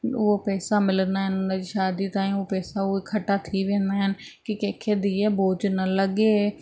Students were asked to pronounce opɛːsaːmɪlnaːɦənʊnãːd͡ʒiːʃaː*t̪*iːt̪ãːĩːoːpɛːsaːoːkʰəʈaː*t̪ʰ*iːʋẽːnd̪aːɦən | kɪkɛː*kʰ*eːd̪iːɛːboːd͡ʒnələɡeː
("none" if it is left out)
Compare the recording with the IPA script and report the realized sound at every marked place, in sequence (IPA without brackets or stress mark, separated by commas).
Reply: d̪, t̪ʰ, kʰ